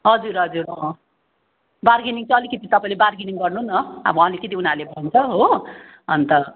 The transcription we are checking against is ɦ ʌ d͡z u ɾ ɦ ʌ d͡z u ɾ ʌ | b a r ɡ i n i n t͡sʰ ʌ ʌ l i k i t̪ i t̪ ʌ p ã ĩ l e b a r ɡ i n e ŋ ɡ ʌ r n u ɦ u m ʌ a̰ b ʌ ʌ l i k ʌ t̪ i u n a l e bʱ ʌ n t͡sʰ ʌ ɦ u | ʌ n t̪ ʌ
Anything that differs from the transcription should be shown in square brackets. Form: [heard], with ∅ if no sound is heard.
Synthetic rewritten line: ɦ ʌ d͡z u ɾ ɦ ʌ d͡z u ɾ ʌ | b a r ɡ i n i [ŋ] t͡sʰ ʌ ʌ l i k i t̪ i t̪ ʌ p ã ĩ l e b a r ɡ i n [i] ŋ ɡ ʌ r n u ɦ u [n] ʌ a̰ b ʌ ʌ l i k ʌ t̪ i u n a l e bʱ ʌ n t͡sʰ ʌ ɦ [o] | ʌ n t̪ ʌ